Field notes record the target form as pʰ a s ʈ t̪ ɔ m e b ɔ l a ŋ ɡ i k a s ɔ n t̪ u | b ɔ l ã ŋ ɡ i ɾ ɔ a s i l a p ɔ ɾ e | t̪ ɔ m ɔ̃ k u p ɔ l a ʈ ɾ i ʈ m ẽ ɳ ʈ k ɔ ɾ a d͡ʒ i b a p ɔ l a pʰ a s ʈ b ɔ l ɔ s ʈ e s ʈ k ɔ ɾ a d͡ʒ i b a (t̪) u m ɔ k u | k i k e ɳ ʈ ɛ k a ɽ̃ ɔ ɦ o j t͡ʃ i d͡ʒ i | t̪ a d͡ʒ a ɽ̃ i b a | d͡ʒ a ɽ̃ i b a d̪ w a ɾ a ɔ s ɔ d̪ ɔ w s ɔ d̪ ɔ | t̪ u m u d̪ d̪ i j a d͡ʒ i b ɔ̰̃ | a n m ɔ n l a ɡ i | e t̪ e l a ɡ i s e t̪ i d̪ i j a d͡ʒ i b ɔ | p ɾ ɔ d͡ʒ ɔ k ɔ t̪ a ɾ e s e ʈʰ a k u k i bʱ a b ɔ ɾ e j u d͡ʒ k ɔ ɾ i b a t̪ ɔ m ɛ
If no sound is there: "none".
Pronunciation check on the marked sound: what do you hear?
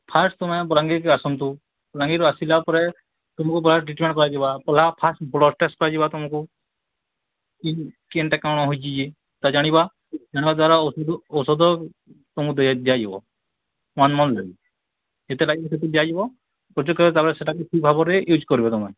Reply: t̪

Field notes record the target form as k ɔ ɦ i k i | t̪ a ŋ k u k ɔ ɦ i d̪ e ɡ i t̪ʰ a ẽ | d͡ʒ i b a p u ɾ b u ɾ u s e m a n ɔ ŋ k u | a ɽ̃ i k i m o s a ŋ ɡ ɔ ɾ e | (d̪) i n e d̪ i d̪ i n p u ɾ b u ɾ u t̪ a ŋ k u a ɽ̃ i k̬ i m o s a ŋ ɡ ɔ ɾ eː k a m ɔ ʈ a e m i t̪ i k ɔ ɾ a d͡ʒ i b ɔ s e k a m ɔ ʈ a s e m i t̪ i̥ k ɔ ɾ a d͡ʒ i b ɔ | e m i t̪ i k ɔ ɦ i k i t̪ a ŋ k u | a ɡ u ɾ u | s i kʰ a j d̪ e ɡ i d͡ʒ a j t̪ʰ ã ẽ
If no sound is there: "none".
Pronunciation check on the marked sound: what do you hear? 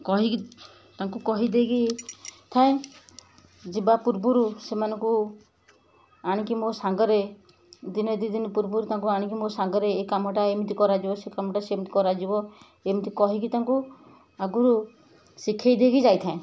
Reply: d̪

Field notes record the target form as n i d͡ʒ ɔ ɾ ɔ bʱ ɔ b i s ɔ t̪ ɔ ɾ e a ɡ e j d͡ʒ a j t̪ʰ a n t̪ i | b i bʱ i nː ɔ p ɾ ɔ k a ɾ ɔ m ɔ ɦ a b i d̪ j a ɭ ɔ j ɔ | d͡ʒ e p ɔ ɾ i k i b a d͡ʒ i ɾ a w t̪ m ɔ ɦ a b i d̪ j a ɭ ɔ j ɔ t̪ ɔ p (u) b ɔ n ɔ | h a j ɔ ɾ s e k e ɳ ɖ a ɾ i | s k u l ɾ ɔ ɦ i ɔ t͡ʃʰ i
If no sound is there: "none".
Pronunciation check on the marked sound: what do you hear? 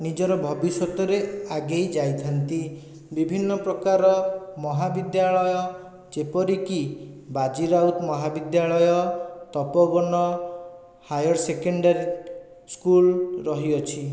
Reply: ɔ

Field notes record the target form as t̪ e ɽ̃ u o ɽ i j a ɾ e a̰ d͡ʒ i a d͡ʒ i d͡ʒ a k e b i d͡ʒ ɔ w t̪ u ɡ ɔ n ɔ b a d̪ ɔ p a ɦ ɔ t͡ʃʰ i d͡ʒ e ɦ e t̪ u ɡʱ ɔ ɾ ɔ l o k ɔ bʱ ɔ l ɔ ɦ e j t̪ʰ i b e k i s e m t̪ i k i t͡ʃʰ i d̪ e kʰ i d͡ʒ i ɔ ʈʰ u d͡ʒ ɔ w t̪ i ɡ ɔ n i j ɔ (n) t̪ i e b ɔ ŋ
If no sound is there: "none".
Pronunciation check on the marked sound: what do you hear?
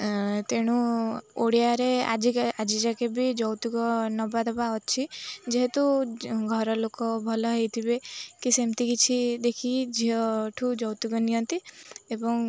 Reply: n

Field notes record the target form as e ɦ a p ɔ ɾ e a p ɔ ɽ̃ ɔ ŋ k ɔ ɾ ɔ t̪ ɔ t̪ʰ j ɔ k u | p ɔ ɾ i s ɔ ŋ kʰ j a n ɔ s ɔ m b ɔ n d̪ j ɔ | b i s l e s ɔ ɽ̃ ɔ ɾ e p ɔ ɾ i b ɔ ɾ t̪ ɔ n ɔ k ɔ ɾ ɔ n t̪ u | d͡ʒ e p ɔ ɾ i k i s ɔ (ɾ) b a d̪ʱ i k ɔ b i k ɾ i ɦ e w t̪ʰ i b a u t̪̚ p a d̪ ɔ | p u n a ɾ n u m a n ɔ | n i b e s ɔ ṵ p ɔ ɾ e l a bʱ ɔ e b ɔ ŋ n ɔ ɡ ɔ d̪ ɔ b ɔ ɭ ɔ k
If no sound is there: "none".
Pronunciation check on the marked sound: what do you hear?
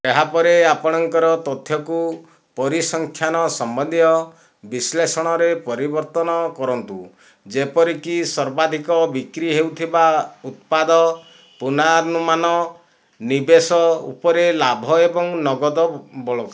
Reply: ɾ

